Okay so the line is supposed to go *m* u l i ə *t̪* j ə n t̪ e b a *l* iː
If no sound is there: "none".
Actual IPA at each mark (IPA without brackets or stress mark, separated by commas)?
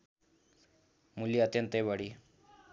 m, t̪, ɽ